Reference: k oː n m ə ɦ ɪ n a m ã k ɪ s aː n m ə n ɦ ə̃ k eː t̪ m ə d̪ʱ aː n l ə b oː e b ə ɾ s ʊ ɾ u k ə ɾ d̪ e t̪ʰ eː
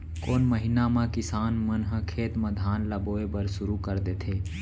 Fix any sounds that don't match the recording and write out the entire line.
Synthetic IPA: k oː n m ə ɦ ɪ n a m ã k ɪ s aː n m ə n ɦ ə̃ kʰ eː t̪ m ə d̪ʱ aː n l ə b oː e b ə ɾ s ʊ ɾ u k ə ɾ d̪ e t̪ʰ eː